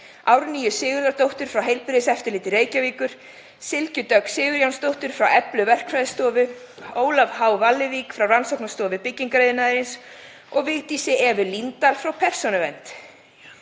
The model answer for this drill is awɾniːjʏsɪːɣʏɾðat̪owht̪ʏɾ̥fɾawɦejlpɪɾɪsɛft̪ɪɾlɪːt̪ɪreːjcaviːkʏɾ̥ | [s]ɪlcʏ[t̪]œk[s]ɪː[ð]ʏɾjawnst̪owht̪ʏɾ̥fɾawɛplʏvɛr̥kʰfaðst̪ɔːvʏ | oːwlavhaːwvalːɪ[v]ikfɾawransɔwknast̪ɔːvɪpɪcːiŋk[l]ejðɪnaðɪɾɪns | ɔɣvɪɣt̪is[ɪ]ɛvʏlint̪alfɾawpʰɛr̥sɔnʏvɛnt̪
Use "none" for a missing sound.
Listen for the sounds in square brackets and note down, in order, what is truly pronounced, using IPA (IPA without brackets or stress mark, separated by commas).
s, t̪, s, ɣ, v, ɾ, ɪ